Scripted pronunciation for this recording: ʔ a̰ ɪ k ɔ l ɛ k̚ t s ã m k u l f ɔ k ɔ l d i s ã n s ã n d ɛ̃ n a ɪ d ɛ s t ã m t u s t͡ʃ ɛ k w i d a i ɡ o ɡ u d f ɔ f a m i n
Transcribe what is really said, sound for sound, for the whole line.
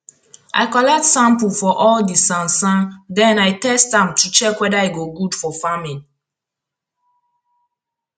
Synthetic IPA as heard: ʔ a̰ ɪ k ɔ l ɛ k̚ t s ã m p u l f ɔ ʔ ɔ l d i s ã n s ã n d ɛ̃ n a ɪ t ɛ s t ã m t u t͡ʃ ɛ k w ɛ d a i ɡ o ɡ u d f ɔ f a m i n